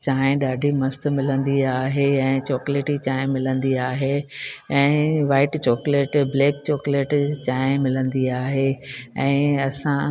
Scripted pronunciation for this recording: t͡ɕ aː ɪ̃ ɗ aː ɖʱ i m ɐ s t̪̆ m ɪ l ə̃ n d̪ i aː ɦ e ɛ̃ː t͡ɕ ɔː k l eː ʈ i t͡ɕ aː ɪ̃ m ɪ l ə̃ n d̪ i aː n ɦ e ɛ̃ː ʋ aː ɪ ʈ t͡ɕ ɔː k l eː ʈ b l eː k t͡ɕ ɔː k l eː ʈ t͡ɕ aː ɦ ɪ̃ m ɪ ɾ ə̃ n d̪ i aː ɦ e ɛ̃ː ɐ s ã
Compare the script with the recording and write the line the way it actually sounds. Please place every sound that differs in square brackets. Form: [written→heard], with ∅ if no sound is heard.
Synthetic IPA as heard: t͡ɕ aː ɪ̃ ɗ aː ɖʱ i m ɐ s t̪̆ m ɪ l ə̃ n d̪ i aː ɦ e ɛ̃ː t͡ɕ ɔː k l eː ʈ i t͡ɕ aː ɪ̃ m ɪ l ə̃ n d̪ i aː [n→∅] ɦ e ɛ̃ː ʋ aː ɪ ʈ t͡ɕ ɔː k l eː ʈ b l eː k t͡ɕ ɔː k l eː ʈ t͡ɕ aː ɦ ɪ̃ m ɪ [ɾ→l] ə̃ n d̪ i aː ɦ e ɛ̃ː ɐ s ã